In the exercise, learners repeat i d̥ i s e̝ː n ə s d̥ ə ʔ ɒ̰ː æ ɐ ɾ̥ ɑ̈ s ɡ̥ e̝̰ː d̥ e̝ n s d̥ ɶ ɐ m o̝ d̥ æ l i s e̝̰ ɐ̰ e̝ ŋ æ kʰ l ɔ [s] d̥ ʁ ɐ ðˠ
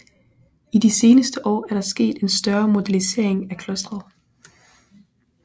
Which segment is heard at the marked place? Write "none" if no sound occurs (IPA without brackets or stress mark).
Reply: s